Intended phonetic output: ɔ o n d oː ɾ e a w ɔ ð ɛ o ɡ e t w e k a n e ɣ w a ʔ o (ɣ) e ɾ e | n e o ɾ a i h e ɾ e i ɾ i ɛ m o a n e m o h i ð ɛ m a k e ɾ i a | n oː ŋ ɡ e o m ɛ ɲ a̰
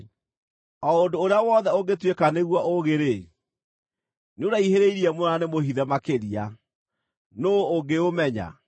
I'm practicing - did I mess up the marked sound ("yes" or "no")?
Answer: no